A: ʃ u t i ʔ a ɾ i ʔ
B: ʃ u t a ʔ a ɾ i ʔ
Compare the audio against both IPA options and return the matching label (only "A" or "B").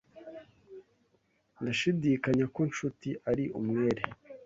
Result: A